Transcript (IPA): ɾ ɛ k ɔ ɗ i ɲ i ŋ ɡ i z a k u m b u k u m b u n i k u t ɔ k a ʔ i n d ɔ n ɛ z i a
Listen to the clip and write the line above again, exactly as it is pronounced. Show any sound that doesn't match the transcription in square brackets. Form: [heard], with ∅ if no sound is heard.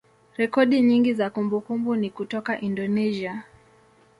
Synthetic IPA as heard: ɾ ɛ k ɔ ɗ i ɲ i ŋ ɡ i z a k u m b u k u m b u n i k u t ɔ k a ʔ i n d ɔ n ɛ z i a